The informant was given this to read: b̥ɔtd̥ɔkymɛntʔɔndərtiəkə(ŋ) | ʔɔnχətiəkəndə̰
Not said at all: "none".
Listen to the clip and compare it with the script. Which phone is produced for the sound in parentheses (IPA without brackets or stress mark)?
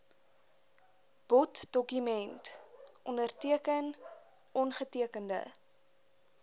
n